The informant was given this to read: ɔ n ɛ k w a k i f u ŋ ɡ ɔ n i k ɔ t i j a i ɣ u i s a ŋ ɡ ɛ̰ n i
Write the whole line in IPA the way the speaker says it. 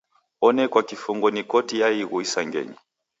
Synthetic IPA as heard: ɔ n ɛ k w a k i f u ŋ ɡ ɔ n i k ɔ t i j a i ɣ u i s a ŋ ɡ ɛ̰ ɲ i

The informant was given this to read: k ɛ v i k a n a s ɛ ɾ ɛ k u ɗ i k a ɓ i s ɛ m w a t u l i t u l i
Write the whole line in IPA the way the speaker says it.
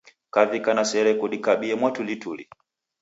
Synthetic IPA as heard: k a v i k a n a s ɛ ɾ ɛ k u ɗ i k a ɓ i ɛ m w a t u l i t u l i

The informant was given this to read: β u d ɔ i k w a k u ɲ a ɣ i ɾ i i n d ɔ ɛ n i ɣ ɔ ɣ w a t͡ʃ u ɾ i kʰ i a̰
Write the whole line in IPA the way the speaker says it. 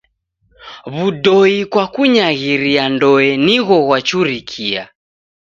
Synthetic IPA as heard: β u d ɔ i k w a k u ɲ a ɣ i ɾ i a n d ɔ ɛ n i ɣ ɔ ɣ w a t͡ʃ u ɾ i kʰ i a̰

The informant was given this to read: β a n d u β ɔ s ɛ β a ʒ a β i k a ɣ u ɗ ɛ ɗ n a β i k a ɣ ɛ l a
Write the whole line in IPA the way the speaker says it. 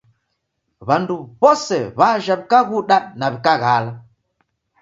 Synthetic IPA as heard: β a n d u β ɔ s ɛ β a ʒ a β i k a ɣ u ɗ a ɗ n a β i k a ɣ a l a

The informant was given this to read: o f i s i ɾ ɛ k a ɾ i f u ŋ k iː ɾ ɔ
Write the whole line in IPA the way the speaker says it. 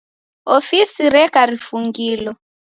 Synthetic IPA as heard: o f i s i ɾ ɛ k a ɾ i f u ŋ ɡ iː l ɔ

